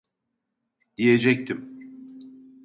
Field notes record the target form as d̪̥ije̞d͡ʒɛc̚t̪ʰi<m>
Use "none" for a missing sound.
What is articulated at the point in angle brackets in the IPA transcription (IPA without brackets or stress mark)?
m